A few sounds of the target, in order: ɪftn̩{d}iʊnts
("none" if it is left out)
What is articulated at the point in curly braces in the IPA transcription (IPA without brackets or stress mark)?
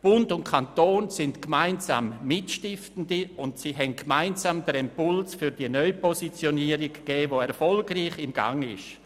d